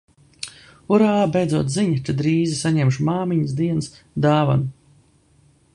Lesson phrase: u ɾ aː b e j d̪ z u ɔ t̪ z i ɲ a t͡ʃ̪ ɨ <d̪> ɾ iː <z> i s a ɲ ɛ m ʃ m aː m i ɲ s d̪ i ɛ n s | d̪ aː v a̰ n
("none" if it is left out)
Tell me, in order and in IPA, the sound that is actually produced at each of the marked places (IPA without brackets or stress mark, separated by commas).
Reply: d̪, z